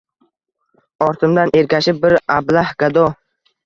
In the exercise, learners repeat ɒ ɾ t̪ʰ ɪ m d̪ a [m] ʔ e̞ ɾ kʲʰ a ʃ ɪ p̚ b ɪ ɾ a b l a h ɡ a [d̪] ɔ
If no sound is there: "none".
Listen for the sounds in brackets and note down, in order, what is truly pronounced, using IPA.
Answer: n, d̪

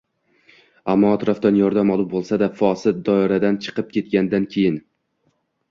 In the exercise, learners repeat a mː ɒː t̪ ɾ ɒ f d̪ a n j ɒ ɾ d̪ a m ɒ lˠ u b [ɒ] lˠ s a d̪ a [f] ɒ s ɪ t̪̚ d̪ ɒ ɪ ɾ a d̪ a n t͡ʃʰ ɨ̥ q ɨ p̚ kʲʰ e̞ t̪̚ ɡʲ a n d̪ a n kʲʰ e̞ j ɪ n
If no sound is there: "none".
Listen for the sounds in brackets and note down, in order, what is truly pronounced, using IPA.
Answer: o, f

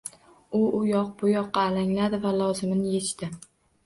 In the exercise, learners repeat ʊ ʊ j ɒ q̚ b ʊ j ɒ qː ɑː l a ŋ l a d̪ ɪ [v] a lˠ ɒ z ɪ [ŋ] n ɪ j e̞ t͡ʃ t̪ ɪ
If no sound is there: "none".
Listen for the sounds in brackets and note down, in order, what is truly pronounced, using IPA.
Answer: v, m

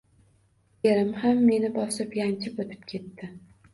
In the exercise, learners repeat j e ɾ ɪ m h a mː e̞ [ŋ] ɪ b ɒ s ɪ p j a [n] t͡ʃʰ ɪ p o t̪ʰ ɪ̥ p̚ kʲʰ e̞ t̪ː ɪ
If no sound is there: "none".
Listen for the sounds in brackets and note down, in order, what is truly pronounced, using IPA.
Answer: n, n

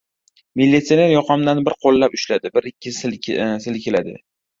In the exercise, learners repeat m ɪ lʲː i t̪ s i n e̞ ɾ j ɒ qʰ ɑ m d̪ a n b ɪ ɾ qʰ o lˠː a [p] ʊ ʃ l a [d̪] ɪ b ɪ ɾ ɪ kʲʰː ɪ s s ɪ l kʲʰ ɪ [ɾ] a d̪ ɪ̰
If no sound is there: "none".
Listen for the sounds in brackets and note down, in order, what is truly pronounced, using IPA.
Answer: p, d̪, l

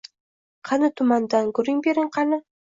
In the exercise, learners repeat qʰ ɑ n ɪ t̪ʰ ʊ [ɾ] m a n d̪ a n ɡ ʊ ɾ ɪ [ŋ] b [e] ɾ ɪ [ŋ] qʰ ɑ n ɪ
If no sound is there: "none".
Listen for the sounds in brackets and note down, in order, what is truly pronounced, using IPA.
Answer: none, ŋ, e, ŋ

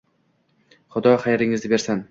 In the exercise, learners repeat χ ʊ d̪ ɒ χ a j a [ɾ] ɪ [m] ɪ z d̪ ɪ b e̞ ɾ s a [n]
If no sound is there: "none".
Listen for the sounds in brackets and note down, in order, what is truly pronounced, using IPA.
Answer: ɾ, ŋ, n

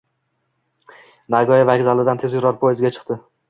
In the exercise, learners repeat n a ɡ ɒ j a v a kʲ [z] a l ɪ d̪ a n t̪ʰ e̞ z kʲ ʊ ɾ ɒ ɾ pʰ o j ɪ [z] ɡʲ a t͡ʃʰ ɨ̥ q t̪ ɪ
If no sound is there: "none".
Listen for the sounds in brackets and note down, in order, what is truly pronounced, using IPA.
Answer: z, z

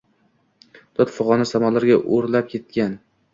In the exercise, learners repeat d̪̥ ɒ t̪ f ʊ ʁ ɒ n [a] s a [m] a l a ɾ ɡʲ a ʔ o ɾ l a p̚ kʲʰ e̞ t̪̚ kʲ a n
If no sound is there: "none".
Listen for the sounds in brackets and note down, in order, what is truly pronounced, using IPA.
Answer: a, m

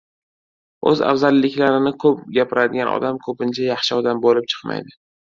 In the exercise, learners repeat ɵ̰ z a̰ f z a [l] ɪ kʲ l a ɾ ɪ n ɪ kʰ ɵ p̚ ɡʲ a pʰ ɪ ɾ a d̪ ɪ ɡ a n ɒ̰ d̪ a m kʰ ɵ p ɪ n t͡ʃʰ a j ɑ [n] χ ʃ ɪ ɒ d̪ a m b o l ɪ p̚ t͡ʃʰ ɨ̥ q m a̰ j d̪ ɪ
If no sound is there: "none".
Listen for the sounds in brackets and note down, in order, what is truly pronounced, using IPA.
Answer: lː, none

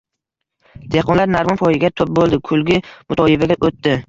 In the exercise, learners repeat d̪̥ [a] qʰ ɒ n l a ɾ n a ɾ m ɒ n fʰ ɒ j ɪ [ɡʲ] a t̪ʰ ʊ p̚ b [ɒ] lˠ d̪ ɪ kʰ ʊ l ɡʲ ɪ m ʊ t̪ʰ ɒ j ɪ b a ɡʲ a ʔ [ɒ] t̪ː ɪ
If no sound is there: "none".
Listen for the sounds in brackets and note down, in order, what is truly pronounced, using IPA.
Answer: e, ɡʲ, o, o

